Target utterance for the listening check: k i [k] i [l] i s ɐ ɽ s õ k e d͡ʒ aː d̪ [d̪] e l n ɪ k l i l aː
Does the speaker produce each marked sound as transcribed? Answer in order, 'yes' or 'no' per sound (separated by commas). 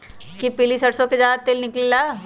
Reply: no, yes, no